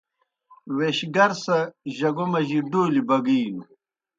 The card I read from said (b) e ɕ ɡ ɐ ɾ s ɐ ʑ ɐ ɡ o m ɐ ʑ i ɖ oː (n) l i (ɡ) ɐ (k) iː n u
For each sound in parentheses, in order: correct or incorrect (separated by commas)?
incorrect, incorrect, incorrect, incorrect